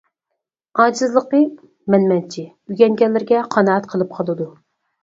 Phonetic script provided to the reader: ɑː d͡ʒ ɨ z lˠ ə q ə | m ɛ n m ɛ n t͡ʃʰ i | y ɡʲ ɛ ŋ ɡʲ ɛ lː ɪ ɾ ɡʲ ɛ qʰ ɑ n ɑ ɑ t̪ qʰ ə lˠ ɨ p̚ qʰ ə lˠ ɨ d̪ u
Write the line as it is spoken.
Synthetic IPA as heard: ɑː d͡ʒ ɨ z lˠ ə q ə | m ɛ n m ɛ n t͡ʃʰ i | y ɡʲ ɛ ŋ ɡʲ ɛ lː ɪ ɾ ɡʲ ɛ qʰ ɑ n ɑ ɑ t̪ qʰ ə lˠ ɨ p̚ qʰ ɑ lˠ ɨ d̪ u